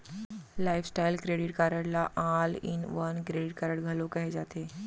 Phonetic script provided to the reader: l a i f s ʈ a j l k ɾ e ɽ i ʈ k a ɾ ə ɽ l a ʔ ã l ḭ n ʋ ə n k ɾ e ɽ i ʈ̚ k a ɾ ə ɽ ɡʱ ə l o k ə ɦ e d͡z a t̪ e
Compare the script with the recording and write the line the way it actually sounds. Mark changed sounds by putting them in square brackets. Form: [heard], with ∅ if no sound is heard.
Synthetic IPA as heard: l a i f s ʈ a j l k ɾ e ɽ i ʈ k a ɾ ə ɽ l a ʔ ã l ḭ n ʋ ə n k ɾ e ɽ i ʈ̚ k a ɾ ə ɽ ɡʱ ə l o k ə ɦ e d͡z a t̪ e